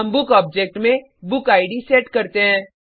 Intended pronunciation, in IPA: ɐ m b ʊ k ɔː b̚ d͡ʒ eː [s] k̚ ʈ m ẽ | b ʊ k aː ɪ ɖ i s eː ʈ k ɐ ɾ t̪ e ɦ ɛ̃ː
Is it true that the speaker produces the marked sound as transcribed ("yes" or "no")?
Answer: no